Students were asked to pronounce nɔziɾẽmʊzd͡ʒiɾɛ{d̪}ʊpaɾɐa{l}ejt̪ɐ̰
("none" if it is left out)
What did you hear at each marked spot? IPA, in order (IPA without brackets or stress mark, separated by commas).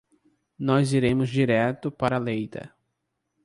t̪, l